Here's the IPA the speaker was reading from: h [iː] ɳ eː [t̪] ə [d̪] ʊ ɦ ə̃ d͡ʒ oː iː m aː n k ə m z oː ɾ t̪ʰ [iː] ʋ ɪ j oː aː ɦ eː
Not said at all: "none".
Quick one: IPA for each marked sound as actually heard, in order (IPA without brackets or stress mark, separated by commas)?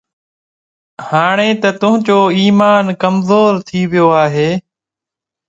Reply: aː, t̪, t̪, iː